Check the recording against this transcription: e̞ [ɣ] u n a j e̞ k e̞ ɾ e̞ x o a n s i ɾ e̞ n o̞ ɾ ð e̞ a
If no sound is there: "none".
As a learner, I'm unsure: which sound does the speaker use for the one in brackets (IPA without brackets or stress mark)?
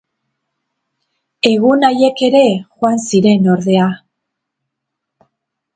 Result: ɣ